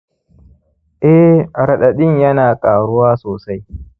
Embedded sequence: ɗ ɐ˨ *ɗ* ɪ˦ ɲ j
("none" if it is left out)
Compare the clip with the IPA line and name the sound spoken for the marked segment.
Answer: ɗ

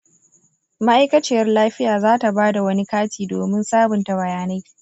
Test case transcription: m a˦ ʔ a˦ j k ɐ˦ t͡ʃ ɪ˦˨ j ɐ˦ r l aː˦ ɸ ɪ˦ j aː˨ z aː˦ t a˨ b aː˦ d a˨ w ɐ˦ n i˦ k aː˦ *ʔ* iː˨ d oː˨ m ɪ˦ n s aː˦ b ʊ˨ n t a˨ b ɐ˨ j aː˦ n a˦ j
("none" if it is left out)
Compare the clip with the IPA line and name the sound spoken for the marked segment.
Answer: t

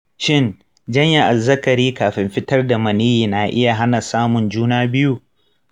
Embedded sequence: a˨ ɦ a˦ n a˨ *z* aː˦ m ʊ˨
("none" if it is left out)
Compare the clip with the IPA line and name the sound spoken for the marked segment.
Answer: s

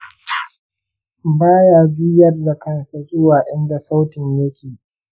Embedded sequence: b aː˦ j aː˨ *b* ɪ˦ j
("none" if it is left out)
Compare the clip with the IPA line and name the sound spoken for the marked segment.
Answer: b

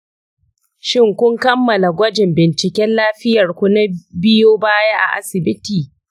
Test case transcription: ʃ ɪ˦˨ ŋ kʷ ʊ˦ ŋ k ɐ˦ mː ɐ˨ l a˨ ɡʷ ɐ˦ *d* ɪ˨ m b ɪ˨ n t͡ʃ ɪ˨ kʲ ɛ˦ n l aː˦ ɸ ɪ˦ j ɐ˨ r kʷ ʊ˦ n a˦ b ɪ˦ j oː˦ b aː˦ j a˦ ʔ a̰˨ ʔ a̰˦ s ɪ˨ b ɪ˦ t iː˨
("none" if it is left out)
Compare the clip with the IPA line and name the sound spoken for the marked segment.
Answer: d͡ʒ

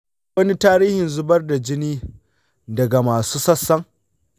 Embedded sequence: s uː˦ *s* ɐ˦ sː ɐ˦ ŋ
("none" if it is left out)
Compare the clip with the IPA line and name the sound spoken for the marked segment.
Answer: s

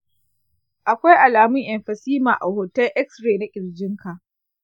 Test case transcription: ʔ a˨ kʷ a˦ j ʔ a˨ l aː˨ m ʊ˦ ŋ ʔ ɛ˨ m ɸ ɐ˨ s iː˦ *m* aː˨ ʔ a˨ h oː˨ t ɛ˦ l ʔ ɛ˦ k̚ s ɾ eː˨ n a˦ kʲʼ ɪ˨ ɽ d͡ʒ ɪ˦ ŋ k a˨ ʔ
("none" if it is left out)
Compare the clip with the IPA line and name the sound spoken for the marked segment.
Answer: m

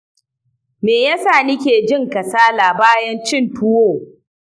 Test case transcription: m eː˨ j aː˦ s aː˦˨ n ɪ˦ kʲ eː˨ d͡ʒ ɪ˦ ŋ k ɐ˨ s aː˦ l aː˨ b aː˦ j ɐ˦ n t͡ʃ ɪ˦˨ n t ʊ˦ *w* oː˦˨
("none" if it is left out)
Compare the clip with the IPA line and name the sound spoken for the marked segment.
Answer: w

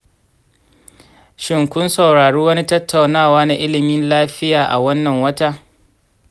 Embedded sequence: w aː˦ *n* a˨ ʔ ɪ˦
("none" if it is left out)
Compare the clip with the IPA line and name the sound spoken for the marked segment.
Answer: n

